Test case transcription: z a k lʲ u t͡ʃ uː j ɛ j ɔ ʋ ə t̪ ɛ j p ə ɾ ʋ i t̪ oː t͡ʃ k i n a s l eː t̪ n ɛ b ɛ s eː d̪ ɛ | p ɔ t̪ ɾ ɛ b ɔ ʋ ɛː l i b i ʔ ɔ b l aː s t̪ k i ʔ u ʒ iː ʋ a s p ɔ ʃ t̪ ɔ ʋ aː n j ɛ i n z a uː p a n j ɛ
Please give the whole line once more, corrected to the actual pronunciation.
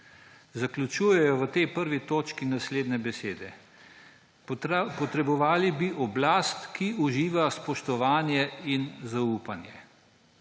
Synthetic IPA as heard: z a k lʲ u t͡ʃ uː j ɛ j ɔ ʋ ə t̪ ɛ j p ə ɾ ʋ i t̪ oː t͡ʃ k i n a s l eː d̪ n ɛ b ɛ s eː d̪ ɛ | p ɔ t̪ ɾ ɛ b ɔ ʋ aː l i b i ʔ ɔ b l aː s t̪ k i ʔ u ʒ iː ʋ a s p ɔ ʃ t̪ ɔ ʋ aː n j ɛ i n z a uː p a n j ɛ